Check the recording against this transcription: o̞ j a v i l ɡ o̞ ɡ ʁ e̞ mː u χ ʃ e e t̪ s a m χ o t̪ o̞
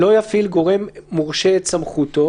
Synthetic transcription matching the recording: o̞ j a f i l ɡ o̞ ʁ e̞ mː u ʁ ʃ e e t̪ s a m χ u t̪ o̞